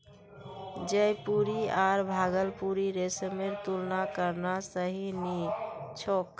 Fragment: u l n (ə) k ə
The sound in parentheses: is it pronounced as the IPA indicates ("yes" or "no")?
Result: no